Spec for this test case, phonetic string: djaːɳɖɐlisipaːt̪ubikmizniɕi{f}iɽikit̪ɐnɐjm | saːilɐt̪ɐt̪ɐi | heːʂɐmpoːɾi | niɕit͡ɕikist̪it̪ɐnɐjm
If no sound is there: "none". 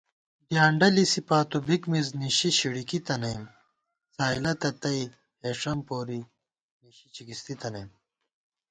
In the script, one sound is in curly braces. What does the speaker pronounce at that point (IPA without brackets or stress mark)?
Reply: ɕ